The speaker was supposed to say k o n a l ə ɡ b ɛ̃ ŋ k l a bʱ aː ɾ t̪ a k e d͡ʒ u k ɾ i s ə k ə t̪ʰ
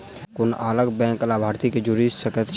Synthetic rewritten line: k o n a l ə ɡ b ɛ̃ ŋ k l a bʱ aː ɾ t̪ i k e d͡ʒ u ɾ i s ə k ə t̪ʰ